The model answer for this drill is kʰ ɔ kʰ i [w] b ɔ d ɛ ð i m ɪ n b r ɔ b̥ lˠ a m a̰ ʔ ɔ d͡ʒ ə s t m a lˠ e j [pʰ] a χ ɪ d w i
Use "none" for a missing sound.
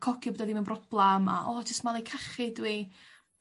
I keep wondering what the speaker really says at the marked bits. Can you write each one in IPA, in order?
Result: none, kʰ

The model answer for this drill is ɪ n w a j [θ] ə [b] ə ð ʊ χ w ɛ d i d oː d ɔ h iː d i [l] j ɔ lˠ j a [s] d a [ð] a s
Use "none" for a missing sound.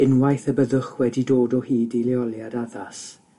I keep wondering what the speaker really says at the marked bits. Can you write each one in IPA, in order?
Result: θ, b, l, none, ð

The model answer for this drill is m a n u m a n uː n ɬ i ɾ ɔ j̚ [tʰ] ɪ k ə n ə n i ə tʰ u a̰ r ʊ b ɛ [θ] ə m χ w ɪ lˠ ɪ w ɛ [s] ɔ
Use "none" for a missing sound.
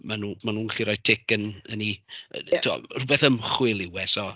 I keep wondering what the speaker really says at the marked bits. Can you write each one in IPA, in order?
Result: tʰ, θ, s

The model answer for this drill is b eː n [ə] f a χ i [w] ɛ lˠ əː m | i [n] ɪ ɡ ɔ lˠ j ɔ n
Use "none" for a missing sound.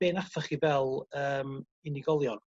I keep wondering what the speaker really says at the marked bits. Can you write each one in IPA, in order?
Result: a, v, n

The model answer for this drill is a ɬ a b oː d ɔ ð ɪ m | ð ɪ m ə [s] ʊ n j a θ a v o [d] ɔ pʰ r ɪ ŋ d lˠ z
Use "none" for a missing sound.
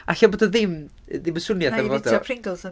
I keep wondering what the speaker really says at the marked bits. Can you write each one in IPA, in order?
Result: s, d

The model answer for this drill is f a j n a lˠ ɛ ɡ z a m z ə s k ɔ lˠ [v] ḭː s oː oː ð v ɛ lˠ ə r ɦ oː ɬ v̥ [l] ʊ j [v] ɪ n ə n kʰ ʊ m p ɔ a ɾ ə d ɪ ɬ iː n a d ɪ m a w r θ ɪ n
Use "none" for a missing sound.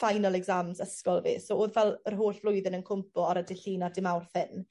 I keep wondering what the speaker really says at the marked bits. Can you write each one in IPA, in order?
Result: v, l, ð

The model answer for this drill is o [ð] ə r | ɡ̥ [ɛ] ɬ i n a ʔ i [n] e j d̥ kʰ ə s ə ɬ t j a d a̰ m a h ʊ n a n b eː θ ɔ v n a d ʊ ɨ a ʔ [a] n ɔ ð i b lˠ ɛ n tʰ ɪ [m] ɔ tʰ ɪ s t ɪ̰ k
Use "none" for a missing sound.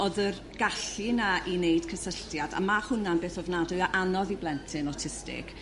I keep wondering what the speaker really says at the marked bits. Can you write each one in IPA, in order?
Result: ð, a, n, a, n

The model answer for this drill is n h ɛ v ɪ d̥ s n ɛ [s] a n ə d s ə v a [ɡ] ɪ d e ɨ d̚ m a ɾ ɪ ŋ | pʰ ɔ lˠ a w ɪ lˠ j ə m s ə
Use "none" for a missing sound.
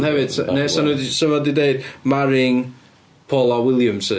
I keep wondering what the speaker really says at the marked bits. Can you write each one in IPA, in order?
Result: s, d

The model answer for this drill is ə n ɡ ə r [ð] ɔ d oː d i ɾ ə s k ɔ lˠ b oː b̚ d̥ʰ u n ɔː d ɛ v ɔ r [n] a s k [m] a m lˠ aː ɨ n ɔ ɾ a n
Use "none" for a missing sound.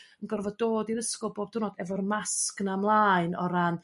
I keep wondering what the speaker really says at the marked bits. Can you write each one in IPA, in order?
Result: v, m, n

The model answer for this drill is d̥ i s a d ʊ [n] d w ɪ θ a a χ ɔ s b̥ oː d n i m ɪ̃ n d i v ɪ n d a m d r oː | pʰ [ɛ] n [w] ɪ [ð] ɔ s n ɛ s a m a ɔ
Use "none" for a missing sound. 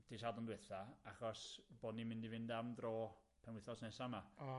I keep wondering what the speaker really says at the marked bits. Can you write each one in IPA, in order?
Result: n, ɛ, w, θ

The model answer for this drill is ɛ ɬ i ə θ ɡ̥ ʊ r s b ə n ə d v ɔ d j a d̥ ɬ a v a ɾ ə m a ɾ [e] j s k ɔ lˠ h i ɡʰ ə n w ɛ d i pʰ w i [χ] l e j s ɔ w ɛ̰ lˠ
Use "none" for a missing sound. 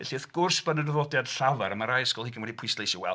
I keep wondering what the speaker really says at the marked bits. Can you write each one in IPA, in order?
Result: a, s

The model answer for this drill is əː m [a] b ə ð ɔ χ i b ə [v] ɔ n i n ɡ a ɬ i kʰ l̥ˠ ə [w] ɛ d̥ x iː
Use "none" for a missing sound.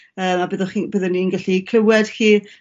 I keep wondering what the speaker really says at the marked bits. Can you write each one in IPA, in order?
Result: a, ð, w

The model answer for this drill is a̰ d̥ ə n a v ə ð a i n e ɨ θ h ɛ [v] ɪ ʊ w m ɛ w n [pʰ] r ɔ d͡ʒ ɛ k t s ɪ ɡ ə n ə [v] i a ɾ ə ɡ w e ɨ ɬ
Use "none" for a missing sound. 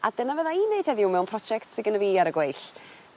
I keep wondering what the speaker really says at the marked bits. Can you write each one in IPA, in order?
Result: ð, pʰ, v

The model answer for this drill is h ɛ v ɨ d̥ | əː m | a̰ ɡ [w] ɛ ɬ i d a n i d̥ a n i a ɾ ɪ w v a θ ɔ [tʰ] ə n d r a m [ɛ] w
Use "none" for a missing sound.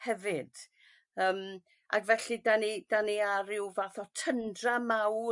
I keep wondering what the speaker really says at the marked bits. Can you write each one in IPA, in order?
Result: v, tʰ, a

